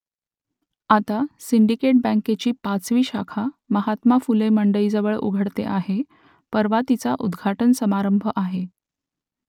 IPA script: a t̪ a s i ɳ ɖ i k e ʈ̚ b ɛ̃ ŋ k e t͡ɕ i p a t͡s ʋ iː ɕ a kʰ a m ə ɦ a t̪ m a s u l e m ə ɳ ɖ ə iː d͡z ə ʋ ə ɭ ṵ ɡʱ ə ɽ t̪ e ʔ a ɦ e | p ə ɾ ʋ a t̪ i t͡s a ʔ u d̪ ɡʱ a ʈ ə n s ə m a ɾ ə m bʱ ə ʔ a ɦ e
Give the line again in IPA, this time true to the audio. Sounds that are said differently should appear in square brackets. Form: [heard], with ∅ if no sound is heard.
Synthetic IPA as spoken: a t̪ a s i ɳ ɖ i k e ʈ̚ b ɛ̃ ŋ k e t͡ɕ [iː] p a t͡s ʋ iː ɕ a kʰ a m ə ɦ a t̪ m a [f] u l e m ə ɳ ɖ ə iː d͡z ə ʋ ə ɭ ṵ ɡʱ ə ɽ t̪ e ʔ a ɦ e | p ə ɾ ʋ a t̪ i t͡s a ʔ u d̪ ɡʱ a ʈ ə n s ə m a ɾ ə m bʱ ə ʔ a ɦ e